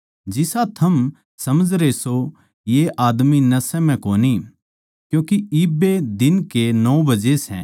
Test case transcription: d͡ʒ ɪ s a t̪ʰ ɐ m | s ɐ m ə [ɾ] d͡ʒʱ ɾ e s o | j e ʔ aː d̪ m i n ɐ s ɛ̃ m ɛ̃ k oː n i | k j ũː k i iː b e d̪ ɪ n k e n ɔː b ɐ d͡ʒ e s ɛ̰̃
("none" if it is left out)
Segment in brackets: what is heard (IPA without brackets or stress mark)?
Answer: none